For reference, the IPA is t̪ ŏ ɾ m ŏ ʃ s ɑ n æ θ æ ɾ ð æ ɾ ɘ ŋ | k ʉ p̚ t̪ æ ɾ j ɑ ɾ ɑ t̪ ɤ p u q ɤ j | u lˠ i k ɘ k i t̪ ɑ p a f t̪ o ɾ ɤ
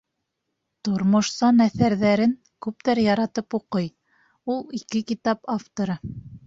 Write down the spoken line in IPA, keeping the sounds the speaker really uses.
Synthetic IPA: t̪ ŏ ɾ m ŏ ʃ s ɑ n æ θ æ ɾ ð æ ɾ ɘ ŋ | k ʉ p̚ t̪ æ ɾ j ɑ ɾ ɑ t̪ ɤ p u q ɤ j | u lˠ i k ɘ k i t̪ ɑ p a f t̪ o ɾ ɤ

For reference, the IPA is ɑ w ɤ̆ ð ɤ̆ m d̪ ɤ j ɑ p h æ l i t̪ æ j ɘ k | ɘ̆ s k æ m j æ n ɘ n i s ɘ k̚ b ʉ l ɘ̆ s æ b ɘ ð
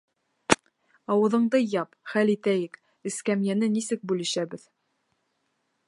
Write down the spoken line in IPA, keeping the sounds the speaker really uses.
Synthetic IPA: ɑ w ɤ̆ ð ɤ̆ ɴ d̪ ɤ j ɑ p χ æ l i t̪ æ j ɘ k | ɘ̆ s k æ m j æ n ɘ n i s ɘ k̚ b ʉ l ɘ̆ ʃ æ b ɘ ð

